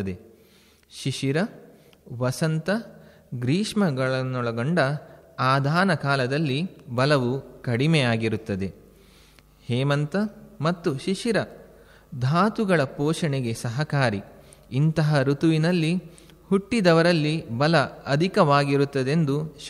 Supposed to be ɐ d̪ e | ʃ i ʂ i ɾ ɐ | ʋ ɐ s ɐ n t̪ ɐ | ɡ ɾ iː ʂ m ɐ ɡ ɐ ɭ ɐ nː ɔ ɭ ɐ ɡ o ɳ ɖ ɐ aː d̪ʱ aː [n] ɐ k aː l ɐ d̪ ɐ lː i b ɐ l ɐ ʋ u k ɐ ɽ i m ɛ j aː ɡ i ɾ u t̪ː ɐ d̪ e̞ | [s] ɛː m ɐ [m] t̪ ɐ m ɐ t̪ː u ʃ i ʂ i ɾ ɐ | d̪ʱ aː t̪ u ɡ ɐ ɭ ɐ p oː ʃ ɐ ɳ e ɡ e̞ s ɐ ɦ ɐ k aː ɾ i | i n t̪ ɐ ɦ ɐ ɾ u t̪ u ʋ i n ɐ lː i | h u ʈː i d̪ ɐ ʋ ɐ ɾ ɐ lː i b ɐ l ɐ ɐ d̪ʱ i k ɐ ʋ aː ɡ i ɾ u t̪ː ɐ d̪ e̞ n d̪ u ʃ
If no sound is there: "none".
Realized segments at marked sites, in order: n, h, n

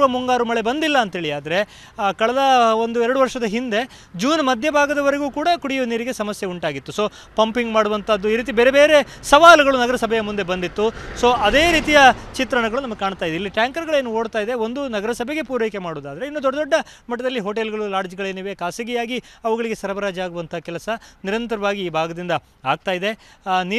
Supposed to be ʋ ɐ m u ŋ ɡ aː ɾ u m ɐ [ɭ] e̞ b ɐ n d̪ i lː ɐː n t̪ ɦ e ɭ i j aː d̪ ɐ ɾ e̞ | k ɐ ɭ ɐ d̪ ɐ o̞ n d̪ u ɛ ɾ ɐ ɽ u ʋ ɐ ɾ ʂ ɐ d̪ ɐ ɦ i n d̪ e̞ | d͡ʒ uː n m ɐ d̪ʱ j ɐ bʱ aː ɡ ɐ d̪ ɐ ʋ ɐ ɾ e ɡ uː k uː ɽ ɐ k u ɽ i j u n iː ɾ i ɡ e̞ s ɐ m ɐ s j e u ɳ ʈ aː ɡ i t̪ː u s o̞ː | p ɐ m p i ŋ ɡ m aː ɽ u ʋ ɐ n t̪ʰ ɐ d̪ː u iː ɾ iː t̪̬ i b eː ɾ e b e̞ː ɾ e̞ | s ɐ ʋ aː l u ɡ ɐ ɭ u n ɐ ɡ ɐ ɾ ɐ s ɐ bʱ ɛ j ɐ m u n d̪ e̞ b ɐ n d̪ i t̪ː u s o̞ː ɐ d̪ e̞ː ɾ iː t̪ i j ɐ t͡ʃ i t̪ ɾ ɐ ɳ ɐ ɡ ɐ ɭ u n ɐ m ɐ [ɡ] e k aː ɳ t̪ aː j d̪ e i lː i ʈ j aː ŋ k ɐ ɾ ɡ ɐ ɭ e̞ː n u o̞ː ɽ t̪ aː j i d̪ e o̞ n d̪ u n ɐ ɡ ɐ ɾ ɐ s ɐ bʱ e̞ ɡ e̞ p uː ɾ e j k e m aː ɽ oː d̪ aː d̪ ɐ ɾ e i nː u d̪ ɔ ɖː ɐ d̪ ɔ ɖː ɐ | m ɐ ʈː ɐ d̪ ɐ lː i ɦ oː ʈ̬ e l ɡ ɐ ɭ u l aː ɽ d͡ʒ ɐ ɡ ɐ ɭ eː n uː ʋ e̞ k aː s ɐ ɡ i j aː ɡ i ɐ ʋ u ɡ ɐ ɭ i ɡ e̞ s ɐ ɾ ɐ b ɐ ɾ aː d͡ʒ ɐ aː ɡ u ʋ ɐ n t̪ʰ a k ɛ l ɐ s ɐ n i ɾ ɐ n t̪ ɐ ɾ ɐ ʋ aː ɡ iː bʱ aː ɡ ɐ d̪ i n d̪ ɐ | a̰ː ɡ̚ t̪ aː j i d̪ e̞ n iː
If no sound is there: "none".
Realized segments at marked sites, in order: ɭ, ɡ

